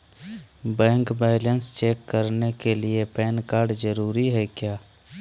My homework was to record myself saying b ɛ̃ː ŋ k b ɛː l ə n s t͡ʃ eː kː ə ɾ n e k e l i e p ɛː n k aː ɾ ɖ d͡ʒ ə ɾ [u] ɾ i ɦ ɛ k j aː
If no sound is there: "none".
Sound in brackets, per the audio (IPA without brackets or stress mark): uː